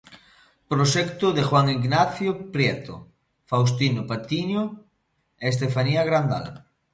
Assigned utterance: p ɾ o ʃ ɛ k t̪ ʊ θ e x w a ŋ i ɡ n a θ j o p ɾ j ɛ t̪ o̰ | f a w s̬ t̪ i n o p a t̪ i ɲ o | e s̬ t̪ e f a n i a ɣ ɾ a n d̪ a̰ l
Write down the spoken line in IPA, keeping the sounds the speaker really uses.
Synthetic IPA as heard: p ɾ o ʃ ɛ k t̪ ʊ ð e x w a ŋ i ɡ n a θ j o p ɾ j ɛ t̪ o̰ | f a w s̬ t̪ i n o p a t̪ i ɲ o | e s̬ t̪ e f a n i a ɣ ɾ a n d̪ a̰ l